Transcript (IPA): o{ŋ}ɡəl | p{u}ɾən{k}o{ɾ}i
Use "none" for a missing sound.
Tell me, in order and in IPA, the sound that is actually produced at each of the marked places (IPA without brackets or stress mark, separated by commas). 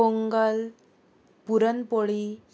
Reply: ŋ, u, p, ɭ